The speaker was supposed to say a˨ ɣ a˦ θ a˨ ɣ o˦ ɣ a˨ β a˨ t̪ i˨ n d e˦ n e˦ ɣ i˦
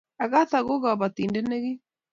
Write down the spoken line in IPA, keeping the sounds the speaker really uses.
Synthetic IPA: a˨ ɣ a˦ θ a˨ ɣ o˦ ɣ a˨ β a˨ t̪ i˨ n d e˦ n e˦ ɣ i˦